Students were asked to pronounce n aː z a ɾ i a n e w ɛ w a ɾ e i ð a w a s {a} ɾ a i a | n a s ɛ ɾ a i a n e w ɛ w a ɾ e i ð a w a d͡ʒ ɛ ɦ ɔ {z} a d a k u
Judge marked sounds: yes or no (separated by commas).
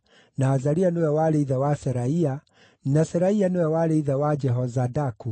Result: no, yes